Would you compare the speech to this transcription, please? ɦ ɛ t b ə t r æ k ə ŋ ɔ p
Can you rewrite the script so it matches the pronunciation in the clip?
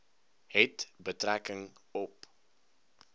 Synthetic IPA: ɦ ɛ t b ə t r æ k ə ŋ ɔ p